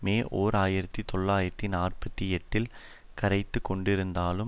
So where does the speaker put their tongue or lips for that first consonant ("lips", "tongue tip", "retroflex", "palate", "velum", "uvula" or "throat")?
lips